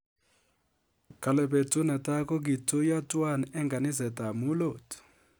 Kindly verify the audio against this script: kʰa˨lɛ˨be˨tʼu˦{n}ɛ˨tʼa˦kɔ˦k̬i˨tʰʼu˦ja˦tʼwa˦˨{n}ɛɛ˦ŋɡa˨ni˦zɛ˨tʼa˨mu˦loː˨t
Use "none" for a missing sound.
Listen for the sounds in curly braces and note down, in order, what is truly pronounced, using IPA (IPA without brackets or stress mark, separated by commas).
n, n